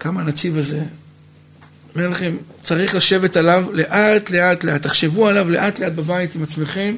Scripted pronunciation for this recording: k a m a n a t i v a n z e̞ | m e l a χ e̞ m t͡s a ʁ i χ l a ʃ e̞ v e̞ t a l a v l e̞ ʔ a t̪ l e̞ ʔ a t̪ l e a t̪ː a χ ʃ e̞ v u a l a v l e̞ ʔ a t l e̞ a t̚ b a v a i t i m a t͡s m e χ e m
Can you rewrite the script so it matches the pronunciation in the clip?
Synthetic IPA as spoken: k a m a n a t͡s i v a z e̞ | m e l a χ e̞ m t͡s a ʁ i χ l a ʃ e̞ v e̞ t a l a v l e̞ ʔ a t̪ l e̞ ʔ a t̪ l e a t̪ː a χ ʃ e̞ v u a l a v l e̞ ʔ a t l e̞ a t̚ b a b a i t i m a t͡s m e χ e m